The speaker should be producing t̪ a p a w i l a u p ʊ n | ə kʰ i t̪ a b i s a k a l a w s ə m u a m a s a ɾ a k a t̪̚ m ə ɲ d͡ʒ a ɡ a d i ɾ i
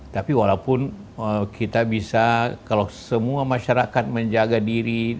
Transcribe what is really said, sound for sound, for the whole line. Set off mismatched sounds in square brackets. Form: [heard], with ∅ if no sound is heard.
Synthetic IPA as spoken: t̪ a p [i] w [a] l a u p ʊ n | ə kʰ i t̪ a b i s a k a l a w s ə m u a m a [ʃ] a ɾ a k a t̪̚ m ə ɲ d͡ʒ a ɡ a d i ɾ i